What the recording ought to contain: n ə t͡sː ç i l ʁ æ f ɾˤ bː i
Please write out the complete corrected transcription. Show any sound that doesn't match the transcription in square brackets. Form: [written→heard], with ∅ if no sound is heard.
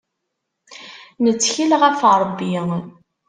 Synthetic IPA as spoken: n ə t͡sː ç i l ʁ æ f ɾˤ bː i

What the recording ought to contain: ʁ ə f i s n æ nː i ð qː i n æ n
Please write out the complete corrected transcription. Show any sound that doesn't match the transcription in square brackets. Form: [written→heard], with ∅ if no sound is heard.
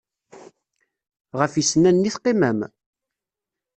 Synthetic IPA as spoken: ʁ ə f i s n æ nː i [ð→θ] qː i [n→m] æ [n→m]

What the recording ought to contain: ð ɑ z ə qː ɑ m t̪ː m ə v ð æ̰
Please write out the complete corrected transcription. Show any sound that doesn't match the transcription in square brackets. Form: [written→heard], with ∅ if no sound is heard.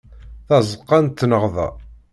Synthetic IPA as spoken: [ð→θ] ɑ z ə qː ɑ [m→n] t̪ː [m→n] ə [v→ʁ] ð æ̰

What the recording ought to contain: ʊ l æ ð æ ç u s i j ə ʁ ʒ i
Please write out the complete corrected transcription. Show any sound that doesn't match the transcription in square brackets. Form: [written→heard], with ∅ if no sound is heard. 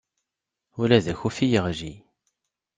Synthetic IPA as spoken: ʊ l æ ð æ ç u [s→f] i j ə ʁ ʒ i

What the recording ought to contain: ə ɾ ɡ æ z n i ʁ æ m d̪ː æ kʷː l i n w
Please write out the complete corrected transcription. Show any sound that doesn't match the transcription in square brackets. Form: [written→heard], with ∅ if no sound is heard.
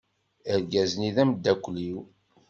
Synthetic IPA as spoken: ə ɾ ɡ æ z n i [ʁ→ð] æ m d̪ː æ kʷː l i [n→∅] w

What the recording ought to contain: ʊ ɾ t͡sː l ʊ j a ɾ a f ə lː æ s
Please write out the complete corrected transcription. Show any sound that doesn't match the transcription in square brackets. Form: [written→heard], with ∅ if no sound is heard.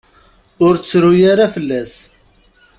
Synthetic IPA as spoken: ʊ ɾ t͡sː [l→ɾ] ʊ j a ɾ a f ə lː æ s

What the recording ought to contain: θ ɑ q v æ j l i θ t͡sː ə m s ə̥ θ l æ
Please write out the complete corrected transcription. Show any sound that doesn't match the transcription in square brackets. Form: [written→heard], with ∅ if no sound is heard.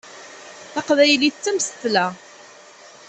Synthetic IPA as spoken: θ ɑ q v æ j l i θ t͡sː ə m s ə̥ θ l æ

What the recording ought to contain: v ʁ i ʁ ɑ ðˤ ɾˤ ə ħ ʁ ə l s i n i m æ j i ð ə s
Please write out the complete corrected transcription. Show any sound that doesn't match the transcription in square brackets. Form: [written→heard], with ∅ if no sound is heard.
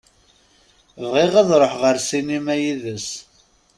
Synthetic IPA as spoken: v ʁ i ʁ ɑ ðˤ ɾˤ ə ħ ʁ ə [l→ɾ] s i n i m æ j i ð ə s

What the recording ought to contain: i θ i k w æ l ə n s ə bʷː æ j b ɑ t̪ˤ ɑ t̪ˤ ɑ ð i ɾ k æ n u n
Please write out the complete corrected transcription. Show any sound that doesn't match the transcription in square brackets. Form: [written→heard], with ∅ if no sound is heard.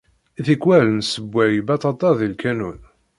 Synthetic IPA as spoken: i θ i k w æ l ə n s ə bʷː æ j b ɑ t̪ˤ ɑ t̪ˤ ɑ ð i [ɾ→l] k æ n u n

